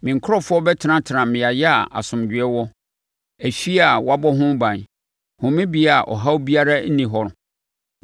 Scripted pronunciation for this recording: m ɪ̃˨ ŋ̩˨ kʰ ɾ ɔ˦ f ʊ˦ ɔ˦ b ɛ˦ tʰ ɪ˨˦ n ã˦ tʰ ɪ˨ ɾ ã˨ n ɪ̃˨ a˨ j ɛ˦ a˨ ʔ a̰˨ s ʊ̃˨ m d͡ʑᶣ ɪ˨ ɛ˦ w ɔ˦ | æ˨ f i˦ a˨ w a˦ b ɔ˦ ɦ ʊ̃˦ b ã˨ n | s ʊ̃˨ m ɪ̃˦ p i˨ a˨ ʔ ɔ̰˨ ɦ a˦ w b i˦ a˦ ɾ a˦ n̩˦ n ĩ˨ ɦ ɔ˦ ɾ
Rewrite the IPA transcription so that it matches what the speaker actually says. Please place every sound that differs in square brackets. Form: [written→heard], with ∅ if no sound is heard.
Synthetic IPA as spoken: m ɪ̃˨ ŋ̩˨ kʰ ɾ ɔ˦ f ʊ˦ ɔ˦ b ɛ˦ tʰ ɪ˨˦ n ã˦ tʰ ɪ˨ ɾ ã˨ [n→m] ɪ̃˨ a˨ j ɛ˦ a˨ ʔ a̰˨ s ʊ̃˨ m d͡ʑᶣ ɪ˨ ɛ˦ w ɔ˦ | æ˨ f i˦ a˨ w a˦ b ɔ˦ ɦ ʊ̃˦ b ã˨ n | [s→h] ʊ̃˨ m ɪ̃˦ [p→b] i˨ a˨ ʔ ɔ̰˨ ɦ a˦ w b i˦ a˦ ɾ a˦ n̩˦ n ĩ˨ ɦ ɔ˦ ɾ